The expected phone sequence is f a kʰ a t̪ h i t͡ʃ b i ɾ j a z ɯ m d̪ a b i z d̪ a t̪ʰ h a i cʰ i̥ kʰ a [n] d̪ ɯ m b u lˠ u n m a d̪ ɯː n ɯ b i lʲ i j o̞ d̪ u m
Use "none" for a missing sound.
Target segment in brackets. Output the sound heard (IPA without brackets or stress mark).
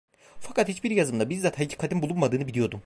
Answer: none